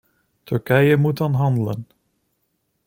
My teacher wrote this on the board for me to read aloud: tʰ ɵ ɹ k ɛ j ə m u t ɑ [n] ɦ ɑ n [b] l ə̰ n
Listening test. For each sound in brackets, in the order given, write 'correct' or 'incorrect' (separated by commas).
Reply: correct, incorrect